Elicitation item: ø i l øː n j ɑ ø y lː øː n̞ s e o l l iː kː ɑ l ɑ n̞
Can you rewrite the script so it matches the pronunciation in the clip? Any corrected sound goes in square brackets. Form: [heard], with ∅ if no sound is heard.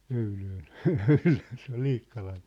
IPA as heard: ø [y] l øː n j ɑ ø y [l] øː n̞ s e o l l iː kː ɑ l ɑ n̞